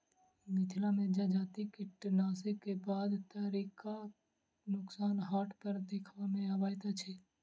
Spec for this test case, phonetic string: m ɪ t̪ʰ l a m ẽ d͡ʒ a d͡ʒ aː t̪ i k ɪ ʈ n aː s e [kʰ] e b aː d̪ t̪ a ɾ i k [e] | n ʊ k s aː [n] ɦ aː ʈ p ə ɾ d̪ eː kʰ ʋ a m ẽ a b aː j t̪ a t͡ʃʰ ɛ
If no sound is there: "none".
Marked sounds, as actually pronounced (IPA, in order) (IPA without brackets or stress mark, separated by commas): k, a, n